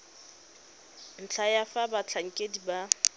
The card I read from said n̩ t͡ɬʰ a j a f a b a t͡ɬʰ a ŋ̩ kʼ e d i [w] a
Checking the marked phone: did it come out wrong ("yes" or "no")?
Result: yes